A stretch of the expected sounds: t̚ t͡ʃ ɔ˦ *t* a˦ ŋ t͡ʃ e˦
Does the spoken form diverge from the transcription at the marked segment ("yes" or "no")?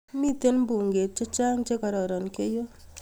yes